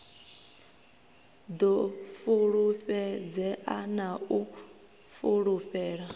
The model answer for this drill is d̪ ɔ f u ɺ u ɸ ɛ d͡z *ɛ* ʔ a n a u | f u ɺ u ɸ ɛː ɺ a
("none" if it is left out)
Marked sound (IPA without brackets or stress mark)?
ɛ